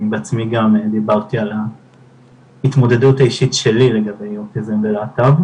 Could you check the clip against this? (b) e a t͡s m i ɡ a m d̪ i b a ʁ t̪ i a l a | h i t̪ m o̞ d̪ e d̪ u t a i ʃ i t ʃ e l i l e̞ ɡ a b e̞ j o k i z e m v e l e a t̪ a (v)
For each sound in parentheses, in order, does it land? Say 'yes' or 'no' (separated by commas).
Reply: yes, yes